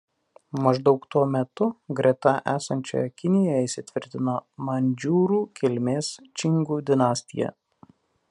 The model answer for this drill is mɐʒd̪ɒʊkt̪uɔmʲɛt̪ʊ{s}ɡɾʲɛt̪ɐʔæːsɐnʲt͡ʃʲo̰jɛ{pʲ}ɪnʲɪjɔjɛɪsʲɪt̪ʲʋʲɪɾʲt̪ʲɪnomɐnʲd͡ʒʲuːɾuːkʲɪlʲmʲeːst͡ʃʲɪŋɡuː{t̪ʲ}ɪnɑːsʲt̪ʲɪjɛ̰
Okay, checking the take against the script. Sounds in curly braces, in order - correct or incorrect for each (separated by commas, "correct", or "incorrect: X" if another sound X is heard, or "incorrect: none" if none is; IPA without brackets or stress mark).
incorrect: none, incorrect: kʲ, incorrect: d̪ʲ